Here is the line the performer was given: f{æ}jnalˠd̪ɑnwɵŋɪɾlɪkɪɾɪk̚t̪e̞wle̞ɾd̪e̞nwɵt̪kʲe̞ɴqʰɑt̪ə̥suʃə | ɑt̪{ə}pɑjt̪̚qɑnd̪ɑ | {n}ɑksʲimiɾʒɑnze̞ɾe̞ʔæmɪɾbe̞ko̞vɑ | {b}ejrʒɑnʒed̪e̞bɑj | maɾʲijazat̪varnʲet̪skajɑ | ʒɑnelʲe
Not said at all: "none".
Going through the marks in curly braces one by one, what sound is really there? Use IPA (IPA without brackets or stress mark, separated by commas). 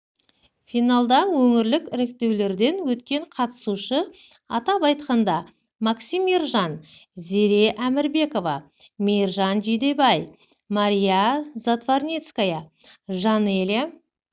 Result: i, ɑ, m, m